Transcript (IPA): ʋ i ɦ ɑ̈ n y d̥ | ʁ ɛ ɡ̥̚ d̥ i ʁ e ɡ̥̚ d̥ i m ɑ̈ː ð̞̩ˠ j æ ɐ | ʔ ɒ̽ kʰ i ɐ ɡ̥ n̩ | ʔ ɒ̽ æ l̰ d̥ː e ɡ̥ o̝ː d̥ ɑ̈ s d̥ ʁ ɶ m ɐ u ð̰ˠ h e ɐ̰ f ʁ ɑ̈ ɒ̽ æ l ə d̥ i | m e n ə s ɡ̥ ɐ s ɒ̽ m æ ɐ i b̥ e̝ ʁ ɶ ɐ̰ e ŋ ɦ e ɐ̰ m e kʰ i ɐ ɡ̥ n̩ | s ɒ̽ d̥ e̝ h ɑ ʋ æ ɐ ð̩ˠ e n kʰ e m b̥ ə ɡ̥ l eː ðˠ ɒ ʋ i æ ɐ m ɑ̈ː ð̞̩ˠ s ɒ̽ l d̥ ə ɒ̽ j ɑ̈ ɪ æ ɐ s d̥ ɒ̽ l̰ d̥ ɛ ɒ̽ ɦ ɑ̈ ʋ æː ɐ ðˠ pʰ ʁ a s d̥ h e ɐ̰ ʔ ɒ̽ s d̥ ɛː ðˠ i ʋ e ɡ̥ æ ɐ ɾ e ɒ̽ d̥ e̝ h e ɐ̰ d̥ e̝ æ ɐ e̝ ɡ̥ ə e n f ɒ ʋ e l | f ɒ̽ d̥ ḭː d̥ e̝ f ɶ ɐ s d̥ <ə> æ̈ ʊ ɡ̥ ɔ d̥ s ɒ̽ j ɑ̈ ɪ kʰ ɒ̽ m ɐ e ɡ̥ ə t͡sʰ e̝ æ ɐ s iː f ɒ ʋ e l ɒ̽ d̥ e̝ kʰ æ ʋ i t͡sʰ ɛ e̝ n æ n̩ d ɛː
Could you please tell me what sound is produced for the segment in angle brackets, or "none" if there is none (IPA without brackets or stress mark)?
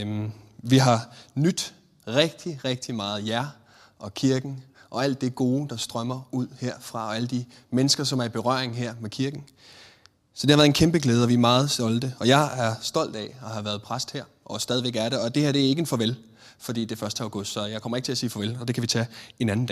ə